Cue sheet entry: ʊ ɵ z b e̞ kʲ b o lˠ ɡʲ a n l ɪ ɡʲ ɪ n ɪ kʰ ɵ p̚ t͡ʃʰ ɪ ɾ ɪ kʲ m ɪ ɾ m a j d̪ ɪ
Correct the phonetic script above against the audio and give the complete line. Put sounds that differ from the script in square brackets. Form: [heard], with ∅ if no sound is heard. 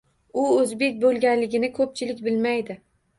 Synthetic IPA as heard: ʊ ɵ z b e̞ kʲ b o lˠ ɡʲ a n l ɪ ɡʲ ɪ n ɪ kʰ ɵ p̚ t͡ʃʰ ɪ [l] ɪ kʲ [b] ɪ [l] m a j d̪ ɪ